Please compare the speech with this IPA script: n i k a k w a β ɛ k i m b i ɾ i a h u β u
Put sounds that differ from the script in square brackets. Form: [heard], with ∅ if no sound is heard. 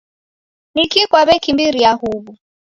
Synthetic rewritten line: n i k [i] k w a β ɛ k i m b i ɾ i a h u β u